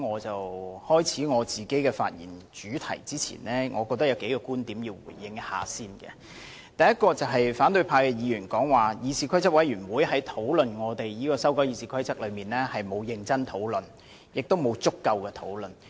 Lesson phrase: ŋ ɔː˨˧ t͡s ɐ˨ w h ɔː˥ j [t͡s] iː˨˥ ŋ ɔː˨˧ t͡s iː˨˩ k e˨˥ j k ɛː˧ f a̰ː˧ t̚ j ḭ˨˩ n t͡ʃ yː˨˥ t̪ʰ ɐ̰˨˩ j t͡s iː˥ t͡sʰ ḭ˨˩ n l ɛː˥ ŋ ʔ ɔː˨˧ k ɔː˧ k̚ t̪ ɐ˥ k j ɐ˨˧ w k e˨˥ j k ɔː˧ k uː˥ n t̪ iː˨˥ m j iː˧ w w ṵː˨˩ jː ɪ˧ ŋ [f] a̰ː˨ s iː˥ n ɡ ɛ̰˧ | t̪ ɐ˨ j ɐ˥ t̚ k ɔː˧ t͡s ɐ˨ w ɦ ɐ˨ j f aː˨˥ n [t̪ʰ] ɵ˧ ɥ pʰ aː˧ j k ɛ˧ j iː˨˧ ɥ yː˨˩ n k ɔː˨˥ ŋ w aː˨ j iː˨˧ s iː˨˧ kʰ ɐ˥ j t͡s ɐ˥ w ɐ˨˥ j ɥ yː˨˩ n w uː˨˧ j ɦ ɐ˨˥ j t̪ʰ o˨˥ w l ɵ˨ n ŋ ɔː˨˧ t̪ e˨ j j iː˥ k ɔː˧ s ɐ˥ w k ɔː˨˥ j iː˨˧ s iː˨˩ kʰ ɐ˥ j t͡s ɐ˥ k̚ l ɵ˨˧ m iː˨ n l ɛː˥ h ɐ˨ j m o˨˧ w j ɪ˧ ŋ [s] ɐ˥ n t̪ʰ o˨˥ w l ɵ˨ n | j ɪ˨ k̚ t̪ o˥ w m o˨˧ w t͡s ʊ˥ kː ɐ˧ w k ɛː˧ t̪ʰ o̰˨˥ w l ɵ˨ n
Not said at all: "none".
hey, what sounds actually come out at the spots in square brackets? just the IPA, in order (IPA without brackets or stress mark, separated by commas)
t͡sʰ, h, t̪, t͡s